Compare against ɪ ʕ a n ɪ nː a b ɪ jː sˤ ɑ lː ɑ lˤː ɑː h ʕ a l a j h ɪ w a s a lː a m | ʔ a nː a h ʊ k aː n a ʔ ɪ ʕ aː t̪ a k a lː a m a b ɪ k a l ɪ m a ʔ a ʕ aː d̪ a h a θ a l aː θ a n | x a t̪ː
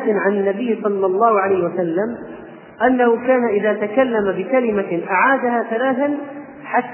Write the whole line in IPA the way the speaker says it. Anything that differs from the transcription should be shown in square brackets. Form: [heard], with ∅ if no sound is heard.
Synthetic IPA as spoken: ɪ ʕ a n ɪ nː a b ɪ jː sˤ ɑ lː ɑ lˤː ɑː h ʕ a l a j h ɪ w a s a lː a m | ʔ a nː a h ʊ k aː n a ʔ ɪ [ð] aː t̪ a k a lː a m a b ɪ k a l ɪ m a ʔ a ʕ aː d̪ a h a θ a l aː θ a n | [ħ] a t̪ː